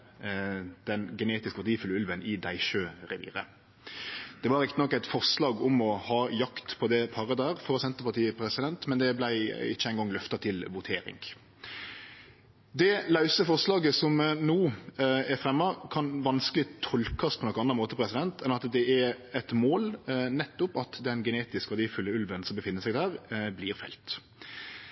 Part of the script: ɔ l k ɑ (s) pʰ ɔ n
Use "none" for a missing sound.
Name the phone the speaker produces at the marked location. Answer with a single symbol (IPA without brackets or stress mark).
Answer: s